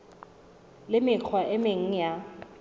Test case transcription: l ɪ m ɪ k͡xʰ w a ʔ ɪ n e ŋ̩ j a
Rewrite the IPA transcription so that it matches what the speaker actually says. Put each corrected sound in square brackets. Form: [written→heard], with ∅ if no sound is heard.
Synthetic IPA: l ɪ m ɪ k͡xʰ w a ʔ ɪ [n→m] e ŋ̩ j a